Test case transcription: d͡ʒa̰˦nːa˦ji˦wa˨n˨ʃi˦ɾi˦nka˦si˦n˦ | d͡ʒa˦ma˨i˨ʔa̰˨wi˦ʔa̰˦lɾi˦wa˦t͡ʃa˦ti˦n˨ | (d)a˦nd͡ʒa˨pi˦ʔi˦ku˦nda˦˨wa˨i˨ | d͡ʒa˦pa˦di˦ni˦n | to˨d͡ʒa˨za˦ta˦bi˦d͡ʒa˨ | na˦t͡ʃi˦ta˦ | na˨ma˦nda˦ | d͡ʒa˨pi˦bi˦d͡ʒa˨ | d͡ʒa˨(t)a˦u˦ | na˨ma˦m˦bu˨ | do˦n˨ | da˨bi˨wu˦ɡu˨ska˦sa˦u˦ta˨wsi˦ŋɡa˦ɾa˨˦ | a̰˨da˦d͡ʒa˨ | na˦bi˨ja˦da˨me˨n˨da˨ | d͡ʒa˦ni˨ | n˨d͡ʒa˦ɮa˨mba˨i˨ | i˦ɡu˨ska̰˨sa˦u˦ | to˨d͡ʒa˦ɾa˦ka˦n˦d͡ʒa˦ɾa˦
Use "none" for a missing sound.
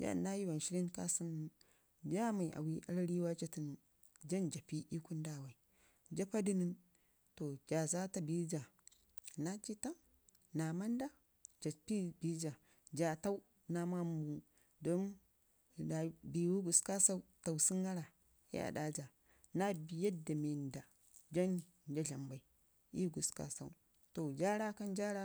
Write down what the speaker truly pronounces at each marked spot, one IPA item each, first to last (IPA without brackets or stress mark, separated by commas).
d͡ʒ, t